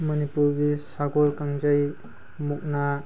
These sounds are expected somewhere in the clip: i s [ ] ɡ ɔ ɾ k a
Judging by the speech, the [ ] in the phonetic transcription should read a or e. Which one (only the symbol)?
a